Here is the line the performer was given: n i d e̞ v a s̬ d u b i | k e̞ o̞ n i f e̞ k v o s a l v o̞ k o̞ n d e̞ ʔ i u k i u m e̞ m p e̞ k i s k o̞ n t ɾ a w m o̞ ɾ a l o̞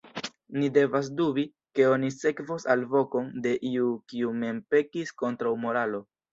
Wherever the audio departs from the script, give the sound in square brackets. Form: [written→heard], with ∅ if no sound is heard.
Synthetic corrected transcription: n i d e̞ v a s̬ d u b i | k e̞ o̞ n i [f→s] e̞ k v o s a l v o̞ k o̞ n d e̞ ʔ i u k i u m e̞ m p e̞ k i s k o̞ n t ɾ a w m o̞ ɾ a l o̞